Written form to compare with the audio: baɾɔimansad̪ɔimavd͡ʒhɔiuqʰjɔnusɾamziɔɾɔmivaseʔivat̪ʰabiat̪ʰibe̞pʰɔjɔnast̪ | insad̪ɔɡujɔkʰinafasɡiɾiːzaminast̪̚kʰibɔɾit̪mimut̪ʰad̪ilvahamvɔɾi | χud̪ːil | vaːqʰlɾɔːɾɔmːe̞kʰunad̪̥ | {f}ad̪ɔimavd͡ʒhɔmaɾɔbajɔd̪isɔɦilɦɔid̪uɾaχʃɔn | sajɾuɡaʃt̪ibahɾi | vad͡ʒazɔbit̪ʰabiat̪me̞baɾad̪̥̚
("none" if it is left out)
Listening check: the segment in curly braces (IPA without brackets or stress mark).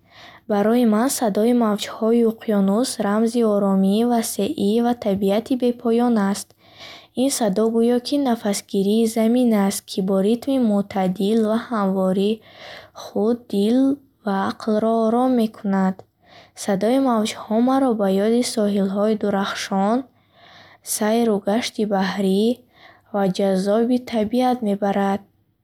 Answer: s